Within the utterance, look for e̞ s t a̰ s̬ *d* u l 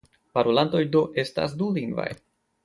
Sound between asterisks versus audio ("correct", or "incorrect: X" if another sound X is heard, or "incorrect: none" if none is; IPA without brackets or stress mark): correct